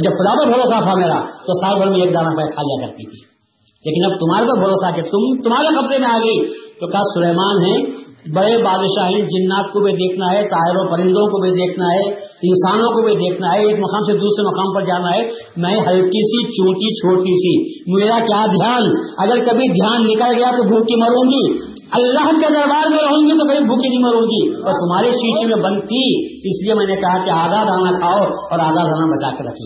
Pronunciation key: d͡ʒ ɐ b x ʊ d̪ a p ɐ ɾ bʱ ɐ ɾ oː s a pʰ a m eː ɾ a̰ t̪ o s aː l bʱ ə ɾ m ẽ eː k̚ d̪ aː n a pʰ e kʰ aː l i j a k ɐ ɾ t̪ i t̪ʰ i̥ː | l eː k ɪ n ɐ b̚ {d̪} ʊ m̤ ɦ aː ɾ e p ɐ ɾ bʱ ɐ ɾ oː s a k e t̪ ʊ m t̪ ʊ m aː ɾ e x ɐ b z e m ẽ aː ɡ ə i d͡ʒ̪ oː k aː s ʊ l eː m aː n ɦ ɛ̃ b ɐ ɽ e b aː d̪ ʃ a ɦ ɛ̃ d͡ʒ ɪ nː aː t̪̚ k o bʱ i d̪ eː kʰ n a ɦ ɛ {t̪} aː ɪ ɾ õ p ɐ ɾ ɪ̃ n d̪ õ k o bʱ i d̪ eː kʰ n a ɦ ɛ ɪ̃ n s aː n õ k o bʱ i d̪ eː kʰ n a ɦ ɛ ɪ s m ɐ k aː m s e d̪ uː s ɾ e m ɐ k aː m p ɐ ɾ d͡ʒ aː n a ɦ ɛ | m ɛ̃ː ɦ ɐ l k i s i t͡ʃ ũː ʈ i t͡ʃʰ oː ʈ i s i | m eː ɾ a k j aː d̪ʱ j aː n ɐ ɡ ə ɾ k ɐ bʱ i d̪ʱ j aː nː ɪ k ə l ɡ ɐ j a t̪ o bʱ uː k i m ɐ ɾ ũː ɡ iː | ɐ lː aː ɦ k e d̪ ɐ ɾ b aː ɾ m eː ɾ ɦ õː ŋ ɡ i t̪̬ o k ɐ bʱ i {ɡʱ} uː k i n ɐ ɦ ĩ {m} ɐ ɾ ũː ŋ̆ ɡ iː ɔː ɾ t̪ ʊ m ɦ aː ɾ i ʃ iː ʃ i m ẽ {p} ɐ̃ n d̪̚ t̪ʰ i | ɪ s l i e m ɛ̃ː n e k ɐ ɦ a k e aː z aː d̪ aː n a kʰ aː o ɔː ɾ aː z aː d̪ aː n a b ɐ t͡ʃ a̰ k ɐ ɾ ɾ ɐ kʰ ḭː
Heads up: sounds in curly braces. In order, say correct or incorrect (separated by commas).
incorrect, correct, incorrect, correct, incorrect